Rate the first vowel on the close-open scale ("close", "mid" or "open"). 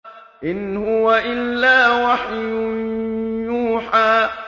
close